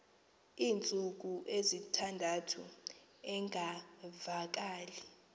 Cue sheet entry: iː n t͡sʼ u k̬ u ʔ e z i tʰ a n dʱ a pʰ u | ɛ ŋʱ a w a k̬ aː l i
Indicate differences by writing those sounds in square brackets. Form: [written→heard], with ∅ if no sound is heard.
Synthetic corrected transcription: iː n t͡sʼ u k̬ u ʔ e z i tʰ a n dʱ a [pʰ→tʰ] u | ɛ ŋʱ a [w→v] a k̬ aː l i